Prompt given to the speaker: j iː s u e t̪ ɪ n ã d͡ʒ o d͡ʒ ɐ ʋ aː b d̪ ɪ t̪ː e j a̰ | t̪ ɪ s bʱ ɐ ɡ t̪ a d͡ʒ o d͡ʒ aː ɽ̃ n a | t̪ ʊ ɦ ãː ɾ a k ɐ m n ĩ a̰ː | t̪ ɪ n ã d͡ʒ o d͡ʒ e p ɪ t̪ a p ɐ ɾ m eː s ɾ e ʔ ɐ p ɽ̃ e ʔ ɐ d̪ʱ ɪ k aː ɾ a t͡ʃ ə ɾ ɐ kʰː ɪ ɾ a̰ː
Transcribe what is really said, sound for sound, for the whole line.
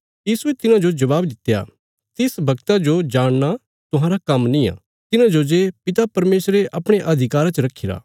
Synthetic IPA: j iː s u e t̪ ɪ n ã d͡ʒ o d͡ʒ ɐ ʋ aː b d̪ ɪ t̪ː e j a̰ | t̪ ɪ s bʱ ɐ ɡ t̪ a d͡ʒ o d͡ʒ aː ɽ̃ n a | t̪ ʊ ɦ ãː ɾ a k ɐ m n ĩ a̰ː | t̪ ɪ n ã d͡ʒ o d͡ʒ e p ɪ t̪ a p ɐ ɾ m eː s ɾ e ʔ ɐ p ɽ̃ e ʔ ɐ d̪ʱ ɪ k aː ɾ a t͡ʃ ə ɾ ɐ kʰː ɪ ɾ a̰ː